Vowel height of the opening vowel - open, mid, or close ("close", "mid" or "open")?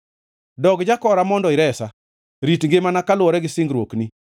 mid